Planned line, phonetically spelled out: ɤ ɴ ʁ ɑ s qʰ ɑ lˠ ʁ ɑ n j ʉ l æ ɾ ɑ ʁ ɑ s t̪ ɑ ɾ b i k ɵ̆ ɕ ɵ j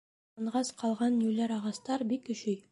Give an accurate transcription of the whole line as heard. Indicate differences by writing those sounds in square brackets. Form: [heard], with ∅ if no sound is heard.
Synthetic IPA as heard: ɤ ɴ ʁ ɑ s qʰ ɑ lˠ ʁ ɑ n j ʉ l æ ɾ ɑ ʁ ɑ s t̪ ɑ ɾ b i k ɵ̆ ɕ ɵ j